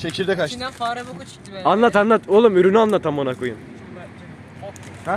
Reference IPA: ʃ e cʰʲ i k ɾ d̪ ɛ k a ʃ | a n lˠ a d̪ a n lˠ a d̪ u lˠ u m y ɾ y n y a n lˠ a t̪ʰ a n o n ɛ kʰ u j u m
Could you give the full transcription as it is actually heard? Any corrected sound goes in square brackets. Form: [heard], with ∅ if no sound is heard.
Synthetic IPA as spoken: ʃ e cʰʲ i [∅] ɾ d̪ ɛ k a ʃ | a n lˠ a [t̪] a n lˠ a [t̪] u lˠ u m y ɾ y n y a n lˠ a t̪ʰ a [m] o n [a] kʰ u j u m